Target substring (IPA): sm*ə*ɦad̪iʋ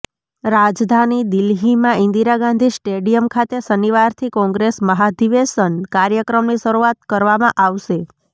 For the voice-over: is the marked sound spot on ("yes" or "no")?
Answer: yes